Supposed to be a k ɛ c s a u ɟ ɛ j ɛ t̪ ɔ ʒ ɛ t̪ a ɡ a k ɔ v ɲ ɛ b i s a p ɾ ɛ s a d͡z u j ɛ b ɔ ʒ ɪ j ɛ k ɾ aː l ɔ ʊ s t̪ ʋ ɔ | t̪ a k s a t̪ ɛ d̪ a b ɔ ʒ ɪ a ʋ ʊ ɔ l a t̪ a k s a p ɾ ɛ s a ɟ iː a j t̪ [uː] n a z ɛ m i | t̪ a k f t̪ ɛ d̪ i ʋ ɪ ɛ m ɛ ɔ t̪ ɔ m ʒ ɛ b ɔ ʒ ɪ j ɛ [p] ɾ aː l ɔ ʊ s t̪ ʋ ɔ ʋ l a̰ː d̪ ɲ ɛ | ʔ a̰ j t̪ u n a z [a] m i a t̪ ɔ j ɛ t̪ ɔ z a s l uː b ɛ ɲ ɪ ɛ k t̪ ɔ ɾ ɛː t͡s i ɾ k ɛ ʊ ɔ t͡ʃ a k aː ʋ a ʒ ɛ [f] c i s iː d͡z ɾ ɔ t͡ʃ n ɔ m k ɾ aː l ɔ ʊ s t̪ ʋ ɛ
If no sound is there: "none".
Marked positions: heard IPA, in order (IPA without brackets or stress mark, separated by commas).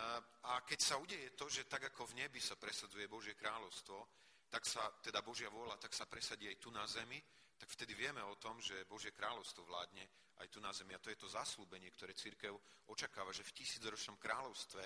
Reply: u, k, ɛ, f